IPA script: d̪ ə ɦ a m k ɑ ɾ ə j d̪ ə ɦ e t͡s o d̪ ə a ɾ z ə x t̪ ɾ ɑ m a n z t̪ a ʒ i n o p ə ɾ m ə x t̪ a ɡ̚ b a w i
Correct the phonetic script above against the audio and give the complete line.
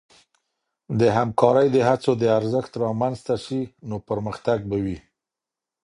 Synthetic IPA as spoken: d̪ ə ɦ a m k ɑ ɾ ə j d̪ ə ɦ a t͡s o d̪ ə a ɾ z ə x t̪ ɾ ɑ m a n z t̪ a ʃ i n o p ə ɾ m ə x t̪ a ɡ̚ b a w i